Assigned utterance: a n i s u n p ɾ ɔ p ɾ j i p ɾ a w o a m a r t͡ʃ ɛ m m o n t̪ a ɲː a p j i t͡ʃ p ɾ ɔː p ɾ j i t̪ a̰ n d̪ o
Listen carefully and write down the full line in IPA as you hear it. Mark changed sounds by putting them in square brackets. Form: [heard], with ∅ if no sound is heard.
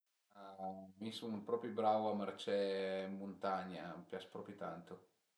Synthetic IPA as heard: a [m] i s u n p ɾ ɔ p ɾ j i [b] ɾ a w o a m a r t͡ʃ ɛ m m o n t̪ a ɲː a p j [a] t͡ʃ p ɾ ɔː p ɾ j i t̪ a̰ n [t̪] o